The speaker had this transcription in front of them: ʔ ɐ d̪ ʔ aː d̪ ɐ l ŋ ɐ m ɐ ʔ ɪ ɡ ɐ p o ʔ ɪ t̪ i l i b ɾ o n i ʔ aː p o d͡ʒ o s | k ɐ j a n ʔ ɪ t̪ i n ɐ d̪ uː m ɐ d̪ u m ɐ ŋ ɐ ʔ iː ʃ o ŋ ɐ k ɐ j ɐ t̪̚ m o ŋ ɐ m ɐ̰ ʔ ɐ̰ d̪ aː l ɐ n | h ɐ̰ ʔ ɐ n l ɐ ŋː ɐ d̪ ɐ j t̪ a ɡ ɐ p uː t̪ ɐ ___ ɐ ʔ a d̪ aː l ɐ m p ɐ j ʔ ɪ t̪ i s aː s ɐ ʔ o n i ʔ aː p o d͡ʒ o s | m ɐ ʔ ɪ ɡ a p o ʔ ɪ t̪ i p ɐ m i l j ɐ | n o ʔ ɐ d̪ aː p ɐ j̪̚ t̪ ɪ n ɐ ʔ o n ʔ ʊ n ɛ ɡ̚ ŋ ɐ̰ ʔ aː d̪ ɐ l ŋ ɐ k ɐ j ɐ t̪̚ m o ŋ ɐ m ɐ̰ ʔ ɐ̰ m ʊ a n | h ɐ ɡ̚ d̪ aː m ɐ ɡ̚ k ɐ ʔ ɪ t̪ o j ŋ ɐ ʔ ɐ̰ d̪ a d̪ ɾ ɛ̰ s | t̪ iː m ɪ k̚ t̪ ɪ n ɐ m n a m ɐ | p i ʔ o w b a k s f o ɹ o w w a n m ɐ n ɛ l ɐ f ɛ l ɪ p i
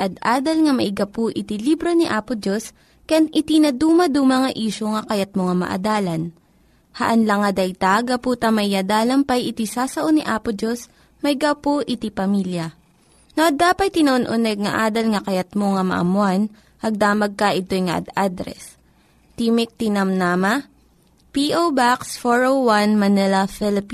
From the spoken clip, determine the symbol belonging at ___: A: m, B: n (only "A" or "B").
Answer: A